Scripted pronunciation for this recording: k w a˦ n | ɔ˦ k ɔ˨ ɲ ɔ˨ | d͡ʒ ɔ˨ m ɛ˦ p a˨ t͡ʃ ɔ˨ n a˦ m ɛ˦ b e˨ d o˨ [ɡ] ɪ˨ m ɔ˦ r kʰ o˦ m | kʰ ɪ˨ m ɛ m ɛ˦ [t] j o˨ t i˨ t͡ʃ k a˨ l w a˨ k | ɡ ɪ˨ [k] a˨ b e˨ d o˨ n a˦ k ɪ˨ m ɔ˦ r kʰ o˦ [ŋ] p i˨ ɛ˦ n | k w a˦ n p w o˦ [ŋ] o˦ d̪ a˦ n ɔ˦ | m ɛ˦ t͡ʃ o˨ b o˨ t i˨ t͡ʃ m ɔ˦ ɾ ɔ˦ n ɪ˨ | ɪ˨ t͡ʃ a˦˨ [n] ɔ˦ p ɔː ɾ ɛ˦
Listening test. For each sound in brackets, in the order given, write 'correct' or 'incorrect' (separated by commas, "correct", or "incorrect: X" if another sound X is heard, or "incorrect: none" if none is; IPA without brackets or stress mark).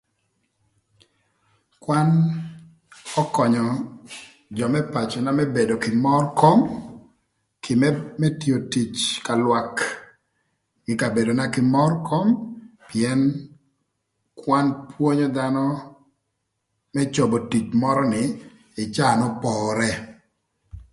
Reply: incorrect: k, correct, correct, incorrect: m, incorrect: ɲ, correct